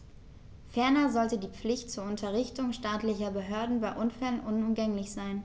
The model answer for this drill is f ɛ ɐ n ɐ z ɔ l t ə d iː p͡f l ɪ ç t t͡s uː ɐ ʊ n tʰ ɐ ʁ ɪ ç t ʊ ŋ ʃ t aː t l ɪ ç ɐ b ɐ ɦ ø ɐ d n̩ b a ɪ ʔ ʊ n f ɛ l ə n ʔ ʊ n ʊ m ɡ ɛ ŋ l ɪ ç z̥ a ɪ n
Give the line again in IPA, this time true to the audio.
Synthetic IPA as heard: f ɛ ɐ n ɐ z ɔ l t ə d iː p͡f l ɪ ç t t͡s uː ɐ ʊ n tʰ ɐ ʁ ɪ ç t ʊ ŋ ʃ t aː t l ɪ ç ɐ b ə ɦ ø ɐ d n̩ b a ɪ ʔ ʊ n f ɛ l ə n ʔ ʊ n ʊ m ɡ ɛ ŋ l ɪ ç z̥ a ɪ n